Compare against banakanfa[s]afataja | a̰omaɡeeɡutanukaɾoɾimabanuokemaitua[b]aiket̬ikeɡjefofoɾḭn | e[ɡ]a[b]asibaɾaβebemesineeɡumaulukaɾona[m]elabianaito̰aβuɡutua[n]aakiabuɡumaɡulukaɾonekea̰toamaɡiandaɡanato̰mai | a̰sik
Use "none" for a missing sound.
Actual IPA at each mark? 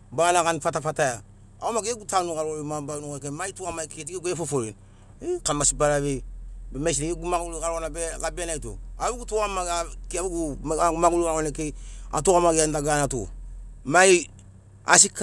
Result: t, m, k, m, b, m

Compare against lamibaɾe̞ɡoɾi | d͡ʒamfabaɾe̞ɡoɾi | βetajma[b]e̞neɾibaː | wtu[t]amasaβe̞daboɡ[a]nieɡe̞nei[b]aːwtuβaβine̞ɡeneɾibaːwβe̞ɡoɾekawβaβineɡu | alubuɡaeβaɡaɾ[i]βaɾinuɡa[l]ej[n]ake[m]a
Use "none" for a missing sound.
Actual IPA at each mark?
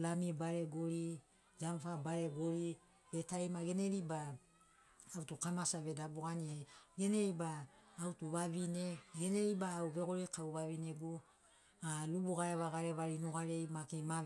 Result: ɡ, k, a, b, e, ɾ, m, m

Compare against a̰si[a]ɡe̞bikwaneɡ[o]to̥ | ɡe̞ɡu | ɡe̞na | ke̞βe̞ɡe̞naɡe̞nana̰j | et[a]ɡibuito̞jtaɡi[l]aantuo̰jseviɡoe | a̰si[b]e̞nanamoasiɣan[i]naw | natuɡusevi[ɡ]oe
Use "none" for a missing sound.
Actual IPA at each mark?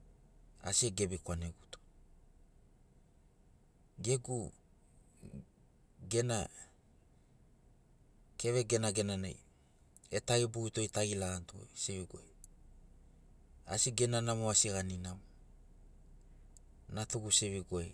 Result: e, u, a, l, ɡ, i, ɡ

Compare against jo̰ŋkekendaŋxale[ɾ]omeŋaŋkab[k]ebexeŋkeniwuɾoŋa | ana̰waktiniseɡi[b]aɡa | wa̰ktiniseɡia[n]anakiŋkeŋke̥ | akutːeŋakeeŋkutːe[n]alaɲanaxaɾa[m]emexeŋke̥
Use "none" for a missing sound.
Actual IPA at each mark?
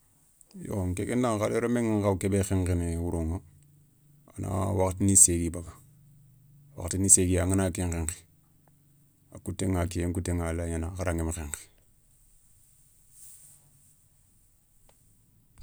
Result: ɾ, k, b, ŋ, ŋ, ŋ

